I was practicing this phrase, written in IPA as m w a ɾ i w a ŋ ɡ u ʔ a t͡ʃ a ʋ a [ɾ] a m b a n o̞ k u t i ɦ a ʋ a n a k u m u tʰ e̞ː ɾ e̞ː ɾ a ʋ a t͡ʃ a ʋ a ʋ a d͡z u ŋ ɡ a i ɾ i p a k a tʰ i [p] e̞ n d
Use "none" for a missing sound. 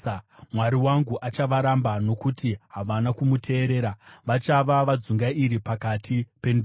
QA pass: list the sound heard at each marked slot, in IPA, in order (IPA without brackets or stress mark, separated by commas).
ɾ, p